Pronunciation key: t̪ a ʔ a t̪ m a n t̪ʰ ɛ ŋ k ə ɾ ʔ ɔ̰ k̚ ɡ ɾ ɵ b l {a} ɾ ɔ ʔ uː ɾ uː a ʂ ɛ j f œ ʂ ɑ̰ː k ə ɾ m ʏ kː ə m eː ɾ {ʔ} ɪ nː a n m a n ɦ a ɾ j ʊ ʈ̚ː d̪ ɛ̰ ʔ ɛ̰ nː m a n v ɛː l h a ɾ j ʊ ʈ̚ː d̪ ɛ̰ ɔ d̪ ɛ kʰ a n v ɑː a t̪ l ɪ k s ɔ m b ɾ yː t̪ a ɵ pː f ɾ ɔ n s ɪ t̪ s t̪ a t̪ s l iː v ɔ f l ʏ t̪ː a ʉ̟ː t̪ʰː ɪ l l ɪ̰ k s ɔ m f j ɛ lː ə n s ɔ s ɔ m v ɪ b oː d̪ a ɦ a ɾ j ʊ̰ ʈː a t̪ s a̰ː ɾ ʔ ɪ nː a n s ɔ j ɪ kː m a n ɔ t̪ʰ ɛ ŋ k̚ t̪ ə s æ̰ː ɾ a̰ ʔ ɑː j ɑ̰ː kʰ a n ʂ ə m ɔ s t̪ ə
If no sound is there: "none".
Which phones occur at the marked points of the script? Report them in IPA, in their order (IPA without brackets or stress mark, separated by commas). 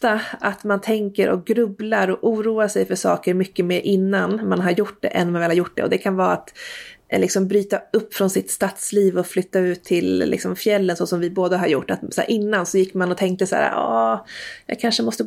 a, ʔ